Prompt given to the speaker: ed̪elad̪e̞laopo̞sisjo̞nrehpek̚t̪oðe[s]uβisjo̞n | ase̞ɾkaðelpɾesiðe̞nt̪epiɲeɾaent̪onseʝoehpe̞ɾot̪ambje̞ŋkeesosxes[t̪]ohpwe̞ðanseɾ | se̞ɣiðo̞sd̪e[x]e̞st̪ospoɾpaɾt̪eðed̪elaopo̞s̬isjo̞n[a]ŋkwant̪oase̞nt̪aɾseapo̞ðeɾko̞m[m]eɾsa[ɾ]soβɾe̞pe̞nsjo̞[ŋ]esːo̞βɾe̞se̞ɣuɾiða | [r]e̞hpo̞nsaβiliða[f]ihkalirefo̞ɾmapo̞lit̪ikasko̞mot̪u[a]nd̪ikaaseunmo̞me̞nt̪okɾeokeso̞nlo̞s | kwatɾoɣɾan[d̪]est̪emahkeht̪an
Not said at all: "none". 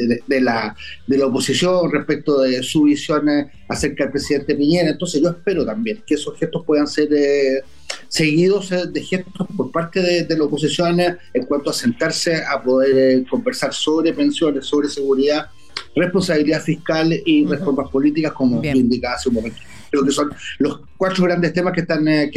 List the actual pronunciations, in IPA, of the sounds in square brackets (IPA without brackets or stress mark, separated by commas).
s, t̪, x, e, b, ɾ, n, r, f, i, d̪